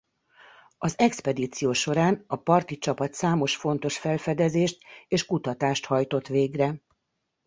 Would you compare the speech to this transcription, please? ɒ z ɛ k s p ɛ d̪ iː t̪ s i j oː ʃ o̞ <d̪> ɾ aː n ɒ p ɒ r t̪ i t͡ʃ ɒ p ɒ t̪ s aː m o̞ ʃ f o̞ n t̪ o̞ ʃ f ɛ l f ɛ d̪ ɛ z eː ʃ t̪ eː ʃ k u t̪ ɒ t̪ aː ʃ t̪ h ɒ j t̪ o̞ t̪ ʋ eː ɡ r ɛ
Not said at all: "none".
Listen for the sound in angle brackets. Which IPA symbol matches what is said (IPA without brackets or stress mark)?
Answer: none